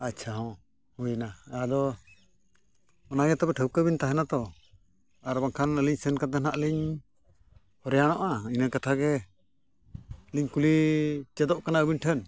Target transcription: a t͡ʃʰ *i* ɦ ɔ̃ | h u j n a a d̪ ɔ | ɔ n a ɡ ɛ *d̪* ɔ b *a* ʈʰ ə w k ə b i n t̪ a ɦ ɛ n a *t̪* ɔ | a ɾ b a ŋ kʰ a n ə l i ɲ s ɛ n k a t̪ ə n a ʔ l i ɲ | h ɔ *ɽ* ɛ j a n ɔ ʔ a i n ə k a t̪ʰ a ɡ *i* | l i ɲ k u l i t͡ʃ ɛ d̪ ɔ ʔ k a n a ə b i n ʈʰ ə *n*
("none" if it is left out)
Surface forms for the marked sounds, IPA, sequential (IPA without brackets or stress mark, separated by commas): a, t̪, ɛ, t̪, ɾ, ɛ, n